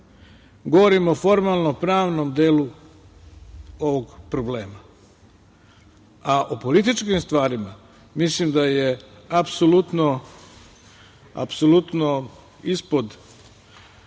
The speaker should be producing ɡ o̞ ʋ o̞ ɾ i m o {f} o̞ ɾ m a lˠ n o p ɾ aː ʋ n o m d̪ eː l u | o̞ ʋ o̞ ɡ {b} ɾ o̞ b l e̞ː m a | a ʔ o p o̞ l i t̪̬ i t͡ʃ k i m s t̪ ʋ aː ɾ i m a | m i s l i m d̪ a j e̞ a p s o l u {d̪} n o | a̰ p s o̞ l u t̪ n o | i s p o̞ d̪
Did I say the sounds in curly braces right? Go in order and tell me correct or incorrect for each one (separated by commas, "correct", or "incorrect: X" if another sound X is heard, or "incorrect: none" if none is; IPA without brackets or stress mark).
correct, incorrect: p, incorrect: t̪